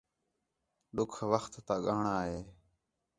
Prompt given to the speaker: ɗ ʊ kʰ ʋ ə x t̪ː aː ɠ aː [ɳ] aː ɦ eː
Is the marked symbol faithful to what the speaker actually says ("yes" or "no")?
yes